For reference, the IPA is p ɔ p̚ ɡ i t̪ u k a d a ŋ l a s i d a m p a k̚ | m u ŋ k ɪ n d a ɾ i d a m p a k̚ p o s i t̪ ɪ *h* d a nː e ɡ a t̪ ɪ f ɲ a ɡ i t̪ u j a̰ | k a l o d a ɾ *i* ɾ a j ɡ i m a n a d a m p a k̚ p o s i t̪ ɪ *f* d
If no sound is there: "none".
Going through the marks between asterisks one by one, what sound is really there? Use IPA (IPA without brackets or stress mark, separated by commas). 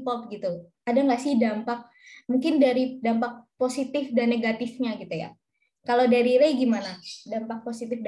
f, i, f